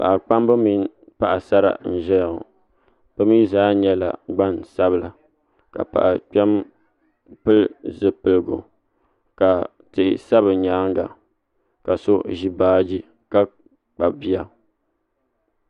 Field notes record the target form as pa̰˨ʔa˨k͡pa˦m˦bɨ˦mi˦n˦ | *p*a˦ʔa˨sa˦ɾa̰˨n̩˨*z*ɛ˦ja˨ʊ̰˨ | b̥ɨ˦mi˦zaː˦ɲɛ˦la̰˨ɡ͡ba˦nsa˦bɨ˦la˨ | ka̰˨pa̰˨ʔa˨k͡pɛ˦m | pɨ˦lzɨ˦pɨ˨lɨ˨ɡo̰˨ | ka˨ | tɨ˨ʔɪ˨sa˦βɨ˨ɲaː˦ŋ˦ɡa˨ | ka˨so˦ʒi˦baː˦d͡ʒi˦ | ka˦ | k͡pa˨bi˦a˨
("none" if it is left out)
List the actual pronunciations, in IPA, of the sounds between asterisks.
p, ʒ

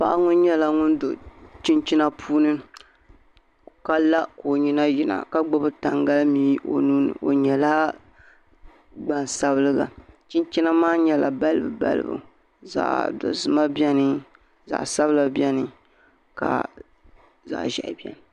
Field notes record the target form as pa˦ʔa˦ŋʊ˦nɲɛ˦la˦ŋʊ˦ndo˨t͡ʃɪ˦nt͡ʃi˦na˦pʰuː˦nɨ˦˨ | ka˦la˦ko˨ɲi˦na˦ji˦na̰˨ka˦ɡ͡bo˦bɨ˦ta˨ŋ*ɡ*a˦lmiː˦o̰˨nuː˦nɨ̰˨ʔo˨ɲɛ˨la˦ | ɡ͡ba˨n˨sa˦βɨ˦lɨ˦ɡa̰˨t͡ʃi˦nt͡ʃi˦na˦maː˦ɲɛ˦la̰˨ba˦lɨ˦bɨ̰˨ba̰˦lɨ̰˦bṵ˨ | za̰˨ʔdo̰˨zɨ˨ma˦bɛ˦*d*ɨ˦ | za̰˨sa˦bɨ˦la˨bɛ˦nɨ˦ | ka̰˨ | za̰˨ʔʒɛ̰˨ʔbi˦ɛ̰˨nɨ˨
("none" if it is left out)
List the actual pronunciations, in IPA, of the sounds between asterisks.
ɡ, n

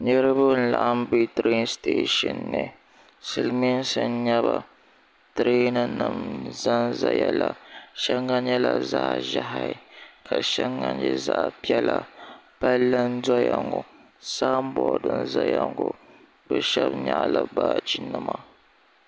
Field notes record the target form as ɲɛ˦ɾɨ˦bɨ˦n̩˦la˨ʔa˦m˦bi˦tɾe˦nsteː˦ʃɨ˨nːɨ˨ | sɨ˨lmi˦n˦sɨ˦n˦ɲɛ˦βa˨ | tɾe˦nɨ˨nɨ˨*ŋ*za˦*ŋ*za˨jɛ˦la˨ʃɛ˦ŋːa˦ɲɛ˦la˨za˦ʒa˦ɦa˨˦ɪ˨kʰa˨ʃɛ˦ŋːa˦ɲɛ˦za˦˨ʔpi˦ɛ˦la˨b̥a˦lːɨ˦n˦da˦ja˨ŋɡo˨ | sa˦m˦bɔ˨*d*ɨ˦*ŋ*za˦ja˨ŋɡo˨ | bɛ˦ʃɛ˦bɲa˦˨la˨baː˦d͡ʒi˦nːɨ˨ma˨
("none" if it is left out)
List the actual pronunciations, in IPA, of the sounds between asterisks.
m, n, d, n

